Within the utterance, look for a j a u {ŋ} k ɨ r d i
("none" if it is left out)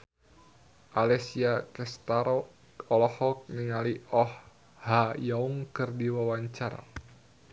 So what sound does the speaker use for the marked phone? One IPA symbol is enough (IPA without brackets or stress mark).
ŋ